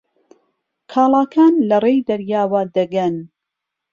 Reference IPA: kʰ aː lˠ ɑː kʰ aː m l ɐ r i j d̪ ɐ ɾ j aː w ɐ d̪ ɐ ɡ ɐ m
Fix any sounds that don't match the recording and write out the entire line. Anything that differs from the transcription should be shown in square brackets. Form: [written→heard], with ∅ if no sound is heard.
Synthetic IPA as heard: kʰ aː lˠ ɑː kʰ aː [m→n] l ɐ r [i→e] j d̪ ɐ ɾ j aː w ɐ d̪ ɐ ɡ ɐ [m→n]